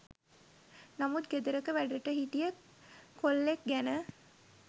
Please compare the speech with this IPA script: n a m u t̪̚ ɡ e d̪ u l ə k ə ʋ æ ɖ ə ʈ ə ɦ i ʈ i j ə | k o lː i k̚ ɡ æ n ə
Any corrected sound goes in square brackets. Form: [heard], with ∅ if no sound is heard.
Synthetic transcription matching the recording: n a m u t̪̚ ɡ e d̪ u [ɾ] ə k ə ʋ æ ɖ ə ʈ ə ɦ i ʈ i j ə | k o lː [e] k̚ ɡ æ n ə